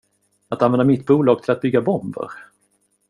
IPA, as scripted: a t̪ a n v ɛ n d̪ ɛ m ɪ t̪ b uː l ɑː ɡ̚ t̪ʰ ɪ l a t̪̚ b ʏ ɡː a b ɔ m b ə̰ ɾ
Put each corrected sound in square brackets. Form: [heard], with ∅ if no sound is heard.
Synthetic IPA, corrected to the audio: a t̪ a n v ɛ n d̪ [a] m ɪ t̪ b uː l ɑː ɡ̚ t̪ʰ ɪ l a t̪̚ b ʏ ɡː a b ɔ m b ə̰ ɾ